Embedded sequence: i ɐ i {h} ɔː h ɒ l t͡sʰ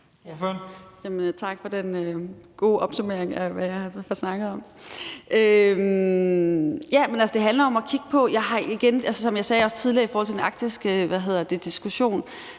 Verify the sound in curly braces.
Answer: incorrect: f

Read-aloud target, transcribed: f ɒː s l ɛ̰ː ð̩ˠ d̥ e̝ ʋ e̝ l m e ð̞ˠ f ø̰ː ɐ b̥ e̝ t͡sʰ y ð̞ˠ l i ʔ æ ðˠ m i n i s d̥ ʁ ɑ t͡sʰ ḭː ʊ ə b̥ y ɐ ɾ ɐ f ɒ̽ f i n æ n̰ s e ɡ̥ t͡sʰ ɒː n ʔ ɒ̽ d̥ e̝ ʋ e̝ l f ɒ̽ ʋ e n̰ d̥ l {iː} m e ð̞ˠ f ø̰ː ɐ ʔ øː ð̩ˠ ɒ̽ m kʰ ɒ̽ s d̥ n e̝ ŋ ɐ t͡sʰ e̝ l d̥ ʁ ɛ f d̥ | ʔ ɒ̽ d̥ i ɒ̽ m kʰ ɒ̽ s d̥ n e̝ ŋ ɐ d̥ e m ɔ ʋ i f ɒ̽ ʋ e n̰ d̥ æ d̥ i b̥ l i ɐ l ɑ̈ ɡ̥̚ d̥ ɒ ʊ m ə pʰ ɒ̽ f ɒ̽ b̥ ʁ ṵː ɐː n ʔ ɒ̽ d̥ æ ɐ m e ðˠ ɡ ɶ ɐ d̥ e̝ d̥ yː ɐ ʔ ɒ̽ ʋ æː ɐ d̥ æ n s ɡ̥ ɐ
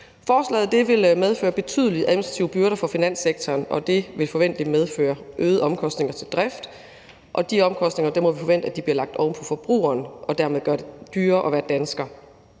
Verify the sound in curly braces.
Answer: incorrect: i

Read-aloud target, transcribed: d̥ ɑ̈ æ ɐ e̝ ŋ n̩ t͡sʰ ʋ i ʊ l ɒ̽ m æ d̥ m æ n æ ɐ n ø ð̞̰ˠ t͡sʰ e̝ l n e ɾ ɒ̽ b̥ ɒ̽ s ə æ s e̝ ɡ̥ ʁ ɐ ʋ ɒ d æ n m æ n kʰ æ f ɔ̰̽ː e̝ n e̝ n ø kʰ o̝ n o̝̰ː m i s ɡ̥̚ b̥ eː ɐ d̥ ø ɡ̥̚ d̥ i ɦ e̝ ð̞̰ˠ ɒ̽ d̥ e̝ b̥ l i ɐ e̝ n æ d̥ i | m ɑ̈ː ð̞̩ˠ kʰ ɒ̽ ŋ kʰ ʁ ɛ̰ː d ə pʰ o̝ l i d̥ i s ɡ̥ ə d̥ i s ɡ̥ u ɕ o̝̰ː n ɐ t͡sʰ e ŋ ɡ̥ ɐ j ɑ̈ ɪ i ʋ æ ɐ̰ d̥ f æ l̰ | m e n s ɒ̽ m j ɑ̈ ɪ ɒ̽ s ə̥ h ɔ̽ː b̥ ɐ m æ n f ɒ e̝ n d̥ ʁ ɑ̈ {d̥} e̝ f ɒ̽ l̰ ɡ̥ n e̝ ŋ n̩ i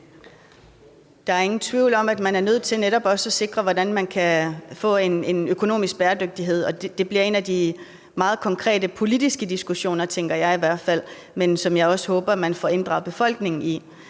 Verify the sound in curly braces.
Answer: incorrect: b̥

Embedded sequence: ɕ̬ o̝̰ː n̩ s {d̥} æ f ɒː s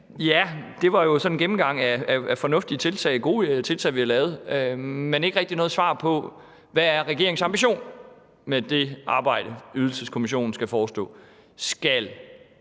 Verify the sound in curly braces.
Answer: incorrect: ɡ̥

